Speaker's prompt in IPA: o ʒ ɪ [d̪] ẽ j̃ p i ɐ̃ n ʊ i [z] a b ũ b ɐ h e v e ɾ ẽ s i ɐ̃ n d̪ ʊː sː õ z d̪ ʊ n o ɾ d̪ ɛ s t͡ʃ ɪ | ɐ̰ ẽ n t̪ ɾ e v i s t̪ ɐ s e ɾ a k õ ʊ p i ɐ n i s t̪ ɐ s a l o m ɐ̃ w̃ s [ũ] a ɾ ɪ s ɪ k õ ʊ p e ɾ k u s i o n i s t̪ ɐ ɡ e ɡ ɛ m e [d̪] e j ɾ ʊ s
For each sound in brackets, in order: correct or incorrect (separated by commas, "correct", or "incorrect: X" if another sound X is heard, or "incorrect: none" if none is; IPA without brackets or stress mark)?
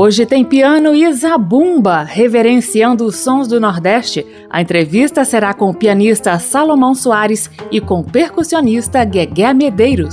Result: incorrect: t̪, correct, incorrect: u, correct